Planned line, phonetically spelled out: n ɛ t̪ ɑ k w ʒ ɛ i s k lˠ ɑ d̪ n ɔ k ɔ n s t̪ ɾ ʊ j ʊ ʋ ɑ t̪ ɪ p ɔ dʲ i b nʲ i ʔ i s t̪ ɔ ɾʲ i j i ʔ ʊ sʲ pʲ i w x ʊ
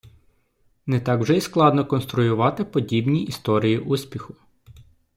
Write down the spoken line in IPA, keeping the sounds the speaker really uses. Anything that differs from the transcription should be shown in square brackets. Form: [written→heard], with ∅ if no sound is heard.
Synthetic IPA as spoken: n ɛ t̪ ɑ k w ʒ ɛ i s k lˠ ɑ d̪ n ɔ k ɔ n s t̪ ɾ ʊ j ʊ ʋ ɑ t̪ ɪ p ɔ dʲ i b nʲ i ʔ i s t̪ ɔ ɾʲ i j i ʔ [ʊ→u] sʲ pʲ i [w→∅] x ʊ